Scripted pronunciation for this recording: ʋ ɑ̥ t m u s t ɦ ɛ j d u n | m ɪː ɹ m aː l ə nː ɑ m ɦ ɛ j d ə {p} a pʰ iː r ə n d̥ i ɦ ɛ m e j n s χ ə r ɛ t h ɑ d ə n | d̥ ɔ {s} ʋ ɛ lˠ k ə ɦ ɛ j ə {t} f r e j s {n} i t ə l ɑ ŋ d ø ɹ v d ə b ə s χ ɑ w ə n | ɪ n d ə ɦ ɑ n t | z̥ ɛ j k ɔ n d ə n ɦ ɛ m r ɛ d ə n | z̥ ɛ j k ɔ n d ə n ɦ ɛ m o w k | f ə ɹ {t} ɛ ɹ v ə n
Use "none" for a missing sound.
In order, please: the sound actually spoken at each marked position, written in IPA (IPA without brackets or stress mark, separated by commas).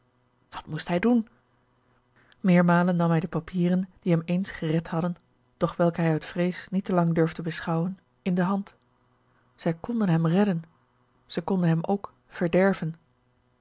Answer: p, χ, t, n, d